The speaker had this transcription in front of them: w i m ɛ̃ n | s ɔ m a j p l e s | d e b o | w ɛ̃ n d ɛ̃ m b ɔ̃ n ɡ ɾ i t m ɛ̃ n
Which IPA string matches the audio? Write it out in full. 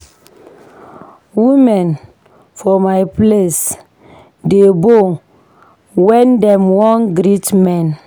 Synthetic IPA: w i m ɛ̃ n | f ɔ m a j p l e s | d e b o | w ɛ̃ n d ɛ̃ m w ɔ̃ n ɡ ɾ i t m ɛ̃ n